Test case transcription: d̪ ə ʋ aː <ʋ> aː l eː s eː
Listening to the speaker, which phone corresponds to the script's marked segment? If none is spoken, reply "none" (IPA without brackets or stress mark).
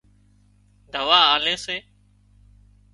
none